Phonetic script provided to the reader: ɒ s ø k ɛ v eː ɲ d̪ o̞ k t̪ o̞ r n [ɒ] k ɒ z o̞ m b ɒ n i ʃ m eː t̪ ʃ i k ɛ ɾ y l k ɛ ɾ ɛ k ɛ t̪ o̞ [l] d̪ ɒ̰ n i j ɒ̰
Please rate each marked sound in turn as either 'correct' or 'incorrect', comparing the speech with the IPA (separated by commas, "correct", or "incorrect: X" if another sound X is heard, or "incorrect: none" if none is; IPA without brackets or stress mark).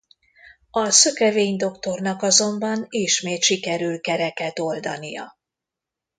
correct, correct